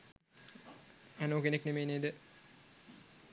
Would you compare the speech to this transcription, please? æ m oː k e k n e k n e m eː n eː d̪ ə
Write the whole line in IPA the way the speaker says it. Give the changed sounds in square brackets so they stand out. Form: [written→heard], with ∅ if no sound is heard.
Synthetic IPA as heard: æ [m→n] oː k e [k→∅] n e k n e m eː n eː d̪ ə